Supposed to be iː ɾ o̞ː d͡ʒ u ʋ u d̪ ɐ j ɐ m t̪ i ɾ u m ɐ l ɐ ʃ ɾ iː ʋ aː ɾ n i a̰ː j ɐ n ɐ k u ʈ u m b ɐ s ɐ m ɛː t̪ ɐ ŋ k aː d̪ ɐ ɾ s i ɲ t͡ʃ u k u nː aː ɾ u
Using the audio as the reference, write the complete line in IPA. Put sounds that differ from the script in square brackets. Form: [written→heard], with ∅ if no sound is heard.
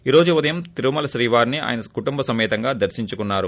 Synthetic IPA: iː ɾ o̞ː d͡ʒ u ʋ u d̪ ɐ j ɐ m t̪ i ɾ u m ɐ l ɐ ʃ ɾ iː ʋ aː ɾ n i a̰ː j ɐ n ɐ k u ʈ u m b ɐ s ɐ m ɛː t̪ ɐ ŋ [k→ɡ] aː d̪ ɐ ɾ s i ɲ t͡ʃ u k u nː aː ɾ u